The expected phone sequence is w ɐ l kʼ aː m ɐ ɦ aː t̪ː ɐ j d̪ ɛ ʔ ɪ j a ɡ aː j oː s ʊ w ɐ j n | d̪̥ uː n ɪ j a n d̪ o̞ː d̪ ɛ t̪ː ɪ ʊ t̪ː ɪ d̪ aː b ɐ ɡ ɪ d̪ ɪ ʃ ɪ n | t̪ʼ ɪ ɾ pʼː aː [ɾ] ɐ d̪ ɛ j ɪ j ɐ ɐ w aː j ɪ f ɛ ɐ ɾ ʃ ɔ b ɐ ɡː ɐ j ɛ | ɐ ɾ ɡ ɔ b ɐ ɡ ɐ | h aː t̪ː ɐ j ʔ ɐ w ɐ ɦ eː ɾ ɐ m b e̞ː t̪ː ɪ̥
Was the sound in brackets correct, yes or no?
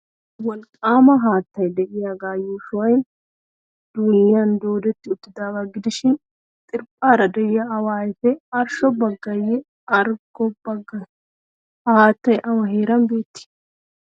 yes